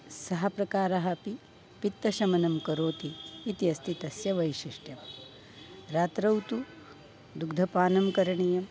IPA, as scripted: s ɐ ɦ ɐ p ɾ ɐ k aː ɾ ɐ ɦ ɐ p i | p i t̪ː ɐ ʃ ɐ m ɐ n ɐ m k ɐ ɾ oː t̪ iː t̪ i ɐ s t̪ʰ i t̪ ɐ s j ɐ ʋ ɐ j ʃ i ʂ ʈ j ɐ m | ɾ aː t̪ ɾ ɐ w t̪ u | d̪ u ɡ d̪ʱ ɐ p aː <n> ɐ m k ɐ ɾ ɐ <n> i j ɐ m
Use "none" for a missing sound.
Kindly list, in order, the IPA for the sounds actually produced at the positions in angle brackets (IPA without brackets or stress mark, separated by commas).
n, ɳ